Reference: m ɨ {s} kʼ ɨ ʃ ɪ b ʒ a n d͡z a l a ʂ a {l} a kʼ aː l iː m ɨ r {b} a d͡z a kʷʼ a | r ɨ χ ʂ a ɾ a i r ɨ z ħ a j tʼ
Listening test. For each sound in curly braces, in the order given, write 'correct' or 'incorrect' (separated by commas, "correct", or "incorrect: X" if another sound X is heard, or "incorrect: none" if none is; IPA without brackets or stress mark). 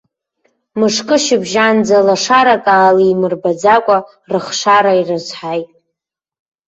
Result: incorrect: ʂ, incorrect: ɾ, correct